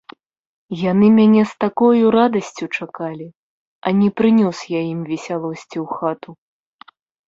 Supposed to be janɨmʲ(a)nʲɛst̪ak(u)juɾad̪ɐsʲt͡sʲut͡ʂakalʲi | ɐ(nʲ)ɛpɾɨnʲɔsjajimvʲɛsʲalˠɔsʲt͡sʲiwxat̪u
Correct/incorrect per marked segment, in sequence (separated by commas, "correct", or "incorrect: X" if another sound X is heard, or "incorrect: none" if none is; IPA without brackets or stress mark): correct, incorrect: ɔ, correct